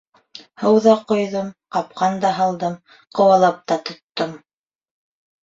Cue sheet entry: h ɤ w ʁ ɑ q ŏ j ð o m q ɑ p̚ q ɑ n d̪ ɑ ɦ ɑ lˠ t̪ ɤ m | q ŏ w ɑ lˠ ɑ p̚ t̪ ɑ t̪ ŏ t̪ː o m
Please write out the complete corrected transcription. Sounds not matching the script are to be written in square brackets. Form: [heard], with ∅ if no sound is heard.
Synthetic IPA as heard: h ɤ w [ð] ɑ q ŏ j ð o m q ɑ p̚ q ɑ n d̪ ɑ ɦ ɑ lˠ [d̪] ɤ m | q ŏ w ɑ lˠ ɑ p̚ t̪ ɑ t̪ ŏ t̪ː o m